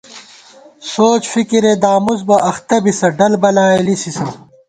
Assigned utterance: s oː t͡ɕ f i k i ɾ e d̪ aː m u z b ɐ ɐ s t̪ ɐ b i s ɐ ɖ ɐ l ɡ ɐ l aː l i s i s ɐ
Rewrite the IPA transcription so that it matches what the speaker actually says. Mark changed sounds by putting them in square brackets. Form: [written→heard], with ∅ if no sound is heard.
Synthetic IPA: s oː t͡ɕ f i k i ɾ e d̪ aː m u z b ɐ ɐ [s→x] t̪ ɐ b i s ɐ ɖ ɐ l [ɡ→b] ɐ l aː l i s i s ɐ